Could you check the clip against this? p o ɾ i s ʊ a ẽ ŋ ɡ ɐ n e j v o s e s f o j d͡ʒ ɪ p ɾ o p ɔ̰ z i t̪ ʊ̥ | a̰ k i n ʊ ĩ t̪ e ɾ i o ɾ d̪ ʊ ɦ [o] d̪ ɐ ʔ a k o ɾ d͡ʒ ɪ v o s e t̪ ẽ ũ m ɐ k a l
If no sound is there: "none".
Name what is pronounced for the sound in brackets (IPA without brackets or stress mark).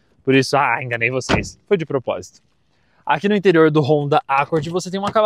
õ